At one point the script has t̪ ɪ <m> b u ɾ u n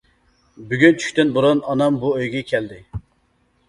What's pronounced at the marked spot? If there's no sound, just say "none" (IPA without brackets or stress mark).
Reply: n